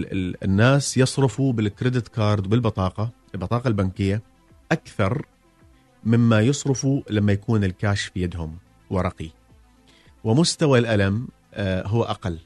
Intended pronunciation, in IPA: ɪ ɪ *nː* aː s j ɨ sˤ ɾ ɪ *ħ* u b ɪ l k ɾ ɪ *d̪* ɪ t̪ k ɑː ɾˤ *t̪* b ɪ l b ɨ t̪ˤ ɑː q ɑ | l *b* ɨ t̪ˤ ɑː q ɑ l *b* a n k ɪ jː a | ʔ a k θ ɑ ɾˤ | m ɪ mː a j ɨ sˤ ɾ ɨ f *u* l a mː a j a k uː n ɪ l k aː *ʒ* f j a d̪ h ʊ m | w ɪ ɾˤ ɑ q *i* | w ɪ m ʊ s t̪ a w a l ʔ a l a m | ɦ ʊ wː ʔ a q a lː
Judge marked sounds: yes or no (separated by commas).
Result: yes, no, yes, no, yes, yes, yes, no, yes